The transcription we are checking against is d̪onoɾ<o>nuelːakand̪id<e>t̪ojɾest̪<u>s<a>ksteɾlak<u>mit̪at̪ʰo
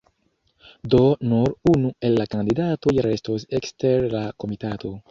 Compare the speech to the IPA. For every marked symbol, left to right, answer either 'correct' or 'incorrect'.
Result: incorrect: u, incorrect: a, incorrect: o, incorrect: e, incorrect: o

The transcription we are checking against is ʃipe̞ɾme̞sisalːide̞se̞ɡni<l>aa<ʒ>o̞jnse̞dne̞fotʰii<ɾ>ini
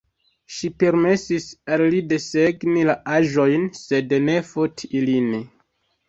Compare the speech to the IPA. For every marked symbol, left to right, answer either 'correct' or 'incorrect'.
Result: correct, correct, incorrect: l

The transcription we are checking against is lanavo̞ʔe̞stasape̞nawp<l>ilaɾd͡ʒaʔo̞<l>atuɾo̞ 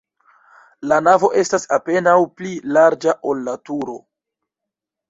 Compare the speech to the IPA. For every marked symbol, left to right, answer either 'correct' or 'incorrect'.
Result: correct, incorrect: lː

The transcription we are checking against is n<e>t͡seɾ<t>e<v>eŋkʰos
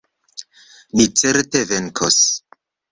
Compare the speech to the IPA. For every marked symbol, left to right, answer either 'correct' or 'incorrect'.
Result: incorrect: i, correct, correct

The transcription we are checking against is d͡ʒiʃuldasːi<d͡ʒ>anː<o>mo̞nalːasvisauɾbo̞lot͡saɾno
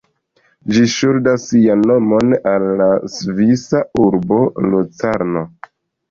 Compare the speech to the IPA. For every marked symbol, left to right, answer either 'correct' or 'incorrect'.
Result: incorrect: none, correct

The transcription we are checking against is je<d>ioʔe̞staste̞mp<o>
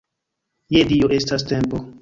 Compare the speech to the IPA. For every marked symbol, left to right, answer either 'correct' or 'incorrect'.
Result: correct, correct

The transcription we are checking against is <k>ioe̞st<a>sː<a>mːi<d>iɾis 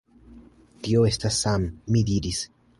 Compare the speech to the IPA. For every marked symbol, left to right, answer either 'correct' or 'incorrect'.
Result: incorrect: t, correct, correct, correct

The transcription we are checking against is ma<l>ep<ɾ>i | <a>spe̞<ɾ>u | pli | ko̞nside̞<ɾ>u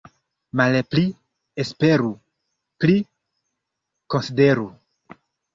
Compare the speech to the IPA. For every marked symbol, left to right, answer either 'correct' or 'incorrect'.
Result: correct, incorrect: l, incorrect: e, correct, correct

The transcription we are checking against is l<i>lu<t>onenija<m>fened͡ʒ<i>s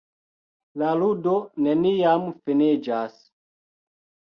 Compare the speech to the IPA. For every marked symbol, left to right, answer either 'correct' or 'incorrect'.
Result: incorrect: a, incorrect: d, correct, incorrect: a

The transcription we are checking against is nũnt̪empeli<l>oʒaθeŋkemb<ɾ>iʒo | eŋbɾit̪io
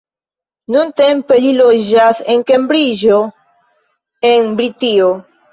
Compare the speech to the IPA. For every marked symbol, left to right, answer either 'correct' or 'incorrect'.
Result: correct, correct

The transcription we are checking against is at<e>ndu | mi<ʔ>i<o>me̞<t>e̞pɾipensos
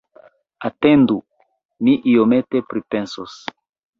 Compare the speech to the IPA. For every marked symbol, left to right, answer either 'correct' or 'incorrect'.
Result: correct, correct, correct, correct

